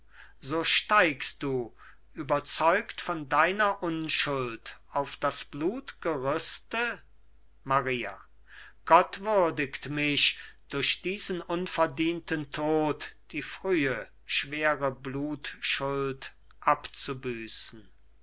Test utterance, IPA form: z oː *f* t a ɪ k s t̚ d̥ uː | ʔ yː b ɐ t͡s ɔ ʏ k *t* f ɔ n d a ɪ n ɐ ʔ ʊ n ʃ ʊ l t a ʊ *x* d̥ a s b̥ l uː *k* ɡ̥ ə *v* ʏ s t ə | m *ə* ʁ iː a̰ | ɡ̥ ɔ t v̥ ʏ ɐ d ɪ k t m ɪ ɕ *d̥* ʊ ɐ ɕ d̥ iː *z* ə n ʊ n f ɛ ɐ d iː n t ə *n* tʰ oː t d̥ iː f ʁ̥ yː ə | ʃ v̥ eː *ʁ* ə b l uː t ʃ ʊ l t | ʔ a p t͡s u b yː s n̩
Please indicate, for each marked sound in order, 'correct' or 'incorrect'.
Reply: incorrect: ʃ, correct, incorrect: f, incorrect: t, incorrect: ʁ, incorrect: a, correct, correct, correct, correct

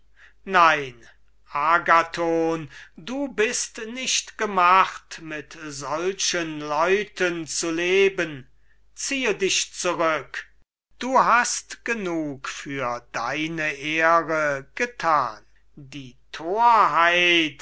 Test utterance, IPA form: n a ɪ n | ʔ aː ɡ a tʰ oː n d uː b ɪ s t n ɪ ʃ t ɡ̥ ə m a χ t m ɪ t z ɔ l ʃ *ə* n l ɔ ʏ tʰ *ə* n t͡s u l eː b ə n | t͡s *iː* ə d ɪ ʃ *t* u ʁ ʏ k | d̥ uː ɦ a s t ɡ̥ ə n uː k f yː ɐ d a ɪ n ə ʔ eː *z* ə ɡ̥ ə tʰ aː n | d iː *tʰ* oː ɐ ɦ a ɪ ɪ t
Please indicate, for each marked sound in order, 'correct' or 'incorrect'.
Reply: correct, correct, correct, incorrect: t͡s, incorrect: ʁ, correct

